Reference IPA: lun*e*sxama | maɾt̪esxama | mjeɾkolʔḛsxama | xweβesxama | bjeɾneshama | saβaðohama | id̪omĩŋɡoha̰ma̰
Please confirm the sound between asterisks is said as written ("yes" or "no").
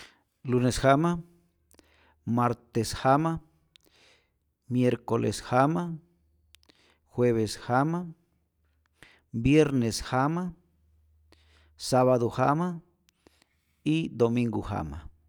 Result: yes